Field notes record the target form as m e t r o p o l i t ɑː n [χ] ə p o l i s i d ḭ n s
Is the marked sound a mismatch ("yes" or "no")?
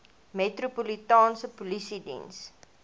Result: yes